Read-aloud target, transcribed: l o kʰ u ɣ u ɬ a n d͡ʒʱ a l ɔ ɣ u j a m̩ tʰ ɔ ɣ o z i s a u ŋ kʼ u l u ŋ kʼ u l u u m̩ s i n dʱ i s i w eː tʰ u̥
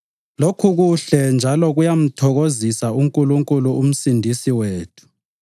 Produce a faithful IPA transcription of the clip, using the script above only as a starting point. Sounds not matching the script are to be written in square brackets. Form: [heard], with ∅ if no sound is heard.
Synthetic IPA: l o kʰ u ɣ u ɬ [ɛ] n d͡ʒʱ a l ɔ ɣ u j a m̩ tʰ ɔ ɣ o z i s a u ŋ kʼ u l u ŋ kʼ u l u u m̩ s i n dʱ i s i w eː tʰ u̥